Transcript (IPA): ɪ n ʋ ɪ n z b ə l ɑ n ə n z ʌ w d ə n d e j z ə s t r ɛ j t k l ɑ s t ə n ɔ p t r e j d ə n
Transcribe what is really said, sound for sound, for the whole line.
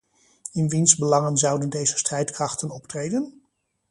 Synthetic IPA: ɪ n ʋ i n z b ə l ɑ ŋ ə n z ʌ w d ə n d e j z ə s t r ɛ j t k r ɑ χ t ə n ɔ p t r e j d ə n